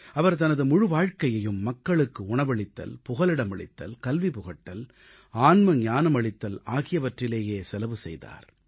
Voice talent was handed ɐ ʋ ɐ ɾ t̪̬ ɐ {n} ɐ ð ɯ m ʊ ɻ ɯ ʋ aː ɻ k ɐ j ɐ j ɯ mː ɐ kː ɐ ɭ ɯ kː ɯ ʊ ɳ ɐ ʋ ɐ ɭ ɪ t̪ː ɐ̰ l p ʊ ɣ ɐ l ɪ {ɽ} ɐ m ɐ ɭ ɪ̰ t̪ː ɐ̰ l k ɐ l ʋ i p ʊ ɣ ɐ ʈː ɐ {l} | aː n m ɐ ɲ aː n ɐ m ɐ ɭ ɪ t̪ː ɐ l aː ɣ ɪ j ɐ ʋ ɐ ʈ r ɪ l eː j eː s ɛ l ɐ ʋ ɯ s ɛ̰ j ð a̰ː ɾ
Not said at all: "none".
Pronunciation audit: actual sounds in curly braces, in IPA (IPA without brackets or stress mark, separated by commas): n, ɽ, l